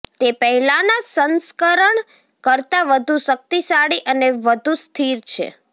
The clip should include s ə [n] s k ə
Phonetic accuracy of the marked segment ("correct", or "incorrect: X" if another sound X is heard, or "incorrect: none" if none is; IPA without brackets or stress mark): correct